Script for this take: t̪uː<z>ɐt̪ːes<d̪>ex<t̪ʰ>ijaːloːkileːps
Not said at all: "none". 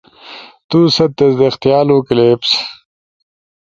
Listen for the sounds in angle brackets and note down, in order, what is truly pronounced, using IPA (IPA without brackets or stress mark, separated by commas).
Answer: s, d̪, t̪